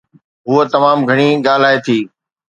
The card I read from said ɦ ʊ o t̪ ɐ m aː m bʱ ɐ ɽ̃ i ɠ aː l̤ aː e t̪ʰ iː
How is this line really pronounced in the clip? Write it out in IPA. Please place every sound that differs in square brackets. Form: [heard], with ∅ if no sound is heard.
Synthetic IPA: ɦ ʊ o t̪ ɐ m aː m [ɡʱ] ɐ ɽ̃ i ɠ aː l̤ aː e t̪ʰ iː